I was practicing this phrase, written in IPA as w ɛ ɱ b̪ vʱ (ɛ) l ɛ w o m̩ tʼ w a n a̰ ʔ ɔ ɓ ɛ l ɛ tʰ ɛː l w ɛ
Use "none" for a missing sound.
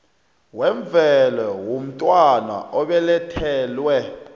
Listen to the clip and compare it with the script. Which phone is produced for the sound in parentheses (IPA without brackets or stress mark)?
ɛ